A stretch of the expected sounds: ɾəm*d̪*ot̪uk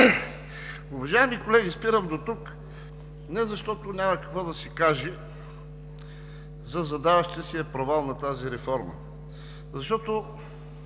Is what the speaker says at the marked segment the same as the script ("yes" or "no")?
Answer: yes